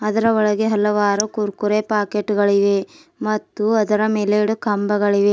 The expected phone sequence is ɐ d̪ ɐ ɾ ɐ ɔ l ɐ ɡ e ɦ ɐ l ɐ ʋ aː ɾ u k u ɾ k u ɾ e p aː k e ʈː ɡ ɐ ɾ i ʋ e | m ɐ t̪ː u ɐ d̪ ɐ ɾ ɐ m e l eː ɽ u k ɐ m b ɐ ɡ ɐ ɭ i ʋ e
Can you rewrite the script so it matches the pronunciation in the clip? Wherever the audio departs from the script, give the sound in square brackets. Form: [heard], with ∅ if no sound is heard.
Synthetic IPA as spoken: ɐ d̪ ɐ ɾ ɐ ɔ [ɭ] ɐ ɡ e ɦ ɐ l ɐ ʋ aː ɾ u k u ɾ k u ɾ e p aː k e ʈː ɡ ɐ [ɭ] i ʋ e | m ɐ t̪ː u ɐ d̪ ɐ ɾ ɐ m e l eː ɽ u k ɐ m b ɐ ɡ ɐ ɭ i ʋ e